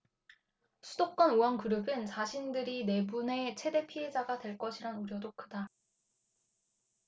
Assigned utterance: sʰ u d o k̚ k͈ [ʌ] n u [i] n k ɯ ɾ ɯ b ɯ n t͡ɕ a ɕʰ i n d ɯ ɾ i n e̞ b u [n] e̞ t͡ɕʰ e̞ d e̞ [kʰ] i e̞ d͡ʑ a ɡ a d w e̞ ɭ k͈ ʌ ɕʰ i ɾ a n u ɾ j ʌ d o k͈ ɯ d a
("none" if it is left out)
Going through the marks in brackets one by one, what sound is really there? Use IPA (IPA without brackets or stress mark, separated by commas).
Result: ʌ, a, n, pʰ